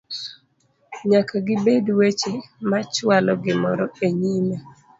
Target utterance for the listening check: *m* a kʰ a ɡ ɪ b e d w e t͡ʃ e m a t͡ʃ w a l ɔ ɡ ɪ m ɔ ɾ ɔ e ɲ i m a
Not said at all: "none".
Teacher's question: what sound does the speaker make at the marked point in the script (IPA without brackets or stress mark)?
ɲ